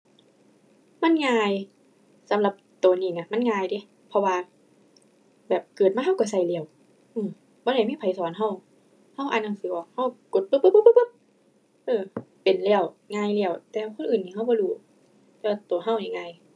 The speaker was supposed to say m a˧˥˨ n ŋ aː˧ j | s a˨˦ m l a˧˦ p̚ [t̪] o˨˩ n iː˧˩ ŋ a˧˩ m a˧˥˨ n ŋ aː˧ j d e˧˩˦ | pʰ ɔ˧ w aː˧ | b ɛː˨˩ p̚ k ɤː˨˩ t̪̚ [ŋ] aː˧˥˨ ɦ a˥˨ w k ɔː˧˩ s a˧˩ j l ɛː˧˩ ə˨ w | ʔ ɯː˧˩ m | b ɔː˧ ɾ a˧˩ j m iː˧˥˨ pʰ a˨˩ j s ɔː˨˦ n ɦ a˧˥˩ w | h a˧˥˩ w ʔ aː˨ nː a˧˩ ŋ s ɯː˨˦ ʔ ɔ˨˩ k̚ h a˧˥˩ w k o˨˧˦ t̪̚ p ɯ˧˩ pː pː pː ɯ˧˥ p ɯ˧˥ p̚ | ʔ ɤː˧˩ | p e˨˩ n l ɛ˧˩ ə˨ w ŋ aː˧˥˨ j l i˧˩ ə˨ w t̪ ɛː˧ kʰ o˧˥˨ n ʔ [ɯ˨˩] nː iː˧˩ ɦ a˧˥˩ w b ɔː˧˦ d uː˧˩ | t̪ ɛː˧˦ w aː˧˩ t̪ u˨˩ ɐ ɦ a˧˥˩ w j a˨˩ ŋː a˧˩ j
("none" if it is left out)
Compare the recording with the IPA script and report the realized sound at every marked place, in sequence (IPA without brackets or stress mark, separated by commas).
t̪, m, ɯː˨˩